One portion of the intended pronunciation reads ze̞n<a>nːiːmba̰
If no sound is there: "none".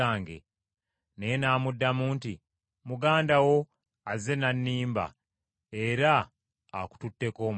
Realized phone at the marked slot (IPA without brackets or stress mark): a